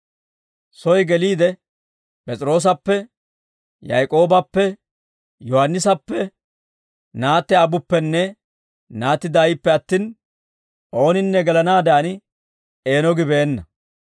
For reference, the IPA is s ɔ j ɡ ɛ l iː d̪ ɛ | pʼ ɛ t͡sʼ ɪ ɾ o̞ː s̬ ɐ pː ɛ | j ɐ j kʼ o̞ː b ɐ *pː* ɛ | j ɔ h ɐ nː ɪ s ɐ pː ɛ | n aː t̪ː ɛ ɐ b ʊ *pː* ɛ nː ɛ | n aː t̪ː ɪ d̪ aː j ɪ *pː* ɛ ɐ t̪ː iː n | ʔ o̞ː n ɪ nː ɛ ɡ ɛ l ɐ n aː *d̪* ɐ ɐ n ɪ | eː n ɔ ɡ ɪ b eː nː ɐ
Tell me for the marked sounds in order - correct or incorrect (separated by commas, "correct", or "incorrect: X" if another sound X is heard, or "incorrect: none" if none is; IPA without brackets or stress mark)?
correct, correct, correct, correct